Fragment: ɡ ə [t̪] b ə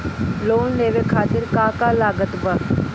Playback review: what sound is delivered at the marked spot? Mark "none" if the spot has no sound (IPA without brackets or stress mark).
t̪